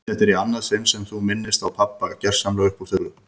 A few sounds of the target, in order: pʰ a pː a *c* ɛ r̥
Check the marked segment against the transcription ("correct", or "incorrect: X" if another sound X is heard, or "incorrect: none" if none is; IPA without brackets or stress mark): correct